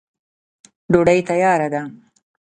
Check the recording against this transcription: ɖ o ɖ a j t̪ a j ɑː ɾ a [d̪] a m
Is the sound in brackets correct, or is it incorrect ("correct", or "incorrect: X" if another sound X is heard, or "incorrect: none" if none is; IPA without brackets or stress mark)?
correct